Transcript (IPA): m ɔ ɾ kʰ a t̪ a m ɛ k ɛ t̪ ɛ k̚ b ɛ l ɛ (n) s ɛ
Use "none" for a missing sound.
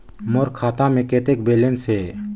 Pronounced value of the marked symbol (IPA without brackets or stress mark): n